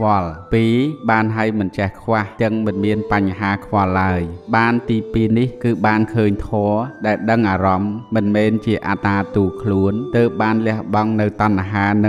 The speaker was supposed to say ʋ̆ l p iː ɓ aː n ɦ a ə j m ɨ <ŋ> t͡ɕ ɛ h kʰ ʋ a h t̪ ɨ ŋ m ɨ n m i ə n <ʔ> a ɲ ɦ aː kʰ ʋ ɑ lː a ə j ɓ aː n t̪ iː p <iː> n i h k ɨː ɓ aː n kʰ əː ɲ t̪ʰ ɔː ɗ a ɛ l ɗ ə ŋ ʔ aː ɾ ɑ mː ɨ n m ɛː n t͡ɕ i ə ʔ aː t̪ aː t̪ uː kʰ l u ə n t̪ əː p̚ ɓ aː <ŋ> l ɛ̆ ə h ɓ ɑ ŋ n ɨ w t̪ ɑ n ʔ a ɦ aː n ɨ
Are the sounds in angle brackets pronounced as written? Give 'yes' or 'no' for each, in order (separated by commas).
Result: no, no, yes, no